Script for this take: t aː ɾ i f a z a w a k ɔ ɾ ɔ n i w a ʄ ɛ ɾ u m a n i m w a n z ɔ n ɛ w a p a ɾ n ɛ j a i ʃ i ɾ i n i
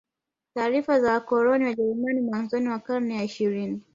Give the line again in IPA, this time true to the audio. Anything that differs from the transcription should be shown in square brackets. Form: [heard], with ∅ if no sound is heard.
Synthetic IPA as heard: t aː ɾ i f a z a w a k ɔ ɾ ɔ n i w a ʄ ɛ ɾ u m a n i m w a n z ɔ n [i] w a [k] a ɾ n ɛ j a i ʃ i ɾ i n i